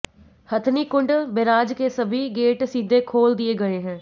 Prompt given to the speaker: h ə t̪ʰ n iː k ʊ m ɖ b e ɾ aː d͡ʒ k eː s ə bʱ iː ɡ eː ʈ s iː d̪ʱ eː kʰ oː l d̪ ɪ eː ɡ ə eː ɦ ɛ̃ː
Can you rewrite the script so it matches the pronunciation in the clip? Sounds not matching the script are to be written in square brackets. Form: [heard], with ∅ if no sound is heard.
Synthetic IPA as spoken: h ə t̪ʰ n iː k ʊ [ɳ] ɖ b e ɾ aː d͡ʒ k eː s ə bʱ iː ɡ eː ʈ s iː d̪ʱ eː kʰ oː l d̪ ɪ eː ɡ ə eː ɦ ɛ̃ː